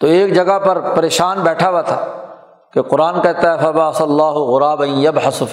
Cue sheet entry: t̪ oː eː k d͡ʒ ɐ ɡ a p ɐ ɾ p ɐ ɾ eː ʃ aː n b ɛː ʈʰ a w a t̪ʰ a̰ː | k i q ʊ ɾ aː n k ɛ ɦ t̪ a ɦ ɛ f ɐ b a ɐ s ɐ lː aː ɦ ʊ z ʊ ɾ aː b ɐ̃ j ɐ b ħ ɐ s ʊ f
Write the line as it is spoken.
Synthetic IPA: t̪ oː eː k d͡ʒ ɐ ɡ a p ɐ ɾ p ɐ ɾ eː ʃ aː n b ɛː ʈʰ a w a t̪ʰ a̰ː | k e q ʊ ɾ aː n k ɛ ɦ t̪ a ɦ ɛ f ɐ b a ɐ s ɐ lː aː ɦ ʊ ɣ ʊ ɾ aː b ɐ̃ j ɐ b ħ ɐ s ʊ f